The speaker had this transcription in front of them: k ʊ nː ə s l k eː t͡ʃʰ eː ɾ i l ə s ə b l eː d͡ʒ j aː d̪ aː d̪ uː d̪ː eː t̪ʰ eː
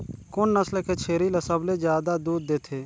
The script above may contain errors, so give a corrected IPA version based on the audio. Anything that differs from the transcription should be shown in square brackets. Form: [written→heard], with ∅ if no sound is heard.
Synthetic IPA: k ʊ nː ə s l k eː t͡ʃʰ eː ɾ i l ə s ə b l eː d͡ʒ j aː d̪ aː d̪ uː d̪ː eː t̪ʰ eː